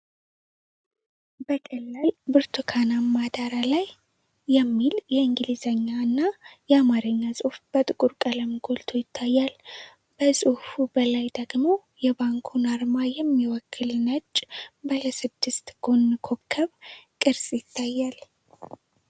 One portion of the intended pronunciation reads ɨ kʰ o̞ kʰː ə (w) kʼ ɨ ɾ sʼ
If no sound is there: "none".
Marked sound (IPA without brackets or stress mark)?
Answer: β